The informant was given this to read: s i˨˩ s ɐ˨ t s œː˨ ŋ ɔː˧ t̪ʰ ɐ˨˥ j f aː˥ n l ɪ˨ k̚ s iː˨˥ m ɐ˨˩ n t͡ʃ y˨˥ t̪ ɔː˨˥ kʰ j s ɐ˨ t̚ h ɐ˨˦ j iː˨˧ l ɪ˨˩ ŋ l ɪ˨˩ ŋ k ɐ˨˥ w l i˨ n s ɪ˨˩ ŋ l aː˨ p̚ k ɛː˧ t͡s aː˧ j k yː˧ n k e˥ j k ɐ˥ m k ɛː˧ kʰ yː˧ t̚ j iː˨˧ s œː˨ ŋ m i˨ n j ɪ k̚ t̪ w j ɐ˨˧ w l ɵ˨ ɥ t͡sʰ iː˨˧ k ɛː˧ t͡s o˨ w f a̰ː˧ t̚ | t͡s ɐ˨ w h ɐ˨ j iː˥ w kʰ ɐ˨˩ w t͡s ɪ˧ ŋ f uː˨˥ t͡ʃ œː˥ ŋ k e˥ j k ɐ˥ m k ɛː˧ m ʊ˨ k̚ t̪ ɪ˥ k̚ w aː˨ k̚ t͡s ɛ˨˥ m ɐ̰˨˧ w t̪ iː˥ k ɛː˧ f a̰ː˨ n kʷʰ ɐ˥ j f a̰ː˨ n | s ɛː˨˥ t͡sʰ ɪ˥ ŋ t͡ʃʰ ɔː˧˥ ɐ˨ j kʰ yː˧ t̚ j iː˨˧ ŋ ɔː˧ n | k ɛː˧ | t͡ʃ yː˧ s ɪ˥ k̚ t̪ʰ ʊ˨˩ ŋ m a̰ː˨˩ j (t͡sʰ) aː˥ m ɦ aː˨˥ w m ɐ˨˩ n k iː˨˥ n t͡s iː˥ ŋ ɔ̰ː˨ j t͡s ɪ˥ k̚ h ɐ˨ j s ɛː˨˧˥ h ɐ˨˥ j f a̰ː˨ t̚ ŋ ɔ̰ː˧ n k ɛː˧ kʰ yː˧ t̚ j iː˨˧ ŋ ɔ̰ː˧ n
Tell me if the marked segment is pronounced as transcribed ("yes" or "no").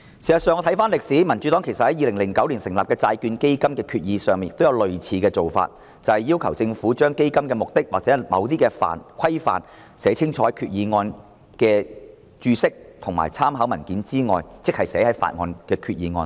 yes